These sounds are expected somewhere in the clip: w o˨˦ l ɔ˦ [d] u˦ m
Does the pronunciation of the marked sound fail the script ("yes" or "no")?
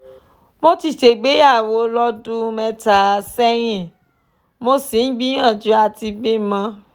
no